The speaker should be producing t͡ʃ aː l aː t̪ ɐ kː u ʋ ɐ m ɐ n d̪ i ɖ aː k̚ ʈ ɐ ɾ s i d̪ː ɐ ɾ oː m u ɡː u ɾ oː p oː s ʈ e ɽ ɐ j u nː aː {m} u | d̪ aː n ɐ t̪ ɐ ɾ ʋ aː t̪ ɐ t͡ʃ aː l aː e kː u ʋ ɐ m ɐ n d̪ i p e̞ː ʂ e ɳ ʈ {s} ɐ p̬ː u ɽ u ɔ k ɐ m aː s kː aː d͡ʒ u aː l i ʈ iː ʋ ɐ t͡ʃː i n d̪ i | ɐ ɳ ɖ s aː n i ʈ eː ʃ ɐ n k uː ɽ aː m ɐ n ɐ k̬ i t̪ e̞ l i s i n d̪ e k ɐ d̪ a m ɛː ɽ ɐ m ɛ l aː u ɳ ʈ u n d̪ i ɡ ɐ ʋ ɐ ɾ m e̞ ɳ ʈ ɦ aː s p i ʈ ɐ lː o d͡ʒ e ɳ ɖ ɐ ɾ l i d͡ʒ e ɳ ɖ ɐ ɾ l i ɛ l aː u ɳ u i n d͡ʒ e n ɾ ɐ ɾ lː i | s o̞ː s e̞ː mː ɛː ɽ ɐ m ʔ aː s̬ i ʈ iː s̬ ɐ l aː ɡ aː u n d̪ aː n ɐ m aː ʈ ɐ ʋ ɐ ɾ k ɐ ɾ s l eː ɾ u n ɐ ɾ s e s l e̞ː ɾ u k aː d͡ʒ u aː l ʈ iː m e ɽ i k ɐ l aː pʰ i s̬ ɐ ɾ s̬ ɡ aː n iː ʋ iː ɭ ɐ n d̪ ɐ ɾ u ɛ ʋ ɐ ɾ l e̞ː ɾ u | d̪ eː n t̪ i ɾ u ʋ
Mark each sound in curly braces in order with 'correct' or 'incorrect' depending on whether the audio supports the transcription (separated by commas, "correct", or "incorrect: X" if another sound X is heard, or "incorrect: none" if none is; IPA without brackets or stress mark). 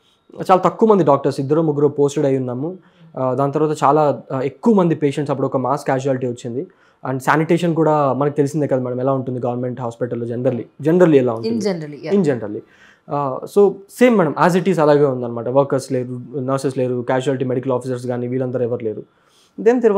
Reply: correct, correct